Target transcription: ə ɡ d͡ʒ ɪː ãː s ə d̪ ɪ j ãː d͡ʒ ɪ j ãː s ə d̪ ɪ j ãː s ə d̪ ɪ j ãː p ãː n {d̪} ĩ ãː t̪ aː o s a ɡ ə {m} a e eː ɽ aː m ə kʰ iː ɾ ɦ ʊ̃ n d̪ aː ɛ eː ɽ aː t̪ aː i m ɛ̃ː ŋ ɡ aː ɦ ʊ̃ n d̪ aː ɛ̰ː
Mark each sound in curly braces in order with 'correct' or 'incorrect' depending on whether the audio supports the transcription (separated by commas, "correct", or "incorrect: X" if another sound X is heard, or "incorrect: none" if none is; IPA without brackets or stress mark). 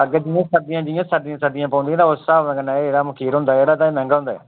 correct, incorrect: n